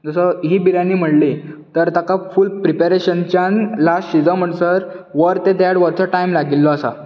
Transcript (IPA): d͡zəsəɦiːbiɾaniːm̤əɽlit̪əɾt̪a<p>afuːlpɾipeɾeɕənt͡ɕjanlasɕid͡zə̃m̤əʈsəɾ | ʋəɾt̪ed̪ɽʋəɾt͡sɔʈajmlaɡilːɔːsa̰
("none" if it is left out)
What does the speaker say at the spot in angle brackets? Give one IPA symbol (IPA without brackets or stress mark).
k